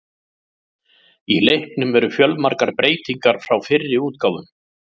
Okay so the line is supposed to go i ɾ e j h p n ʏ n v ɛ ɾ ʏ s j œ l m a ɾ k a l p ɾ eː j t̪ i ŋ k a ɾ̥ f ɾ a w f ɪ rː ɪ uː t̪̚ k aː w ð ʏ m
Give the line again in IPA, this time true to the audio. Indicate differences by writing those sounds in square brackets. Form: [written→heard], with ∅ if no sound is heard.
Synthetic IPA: i [ɾ→l] e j h p n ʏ [n→m] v ɛ ɾ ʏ [s→f] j œ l m a ɾ k a [l→ɾ] p ɾ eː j t̪ i ŋ k a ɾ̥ f ɾ a w f ɪ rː ɪ uː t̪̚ k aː w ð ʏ m